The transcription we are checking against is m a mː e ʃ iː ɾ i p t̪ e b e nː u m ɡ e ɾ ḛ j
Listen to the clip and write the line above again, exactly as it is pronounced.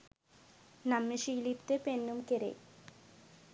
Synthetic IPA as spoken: n a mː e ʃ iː l i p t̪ e p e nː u m k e ɾ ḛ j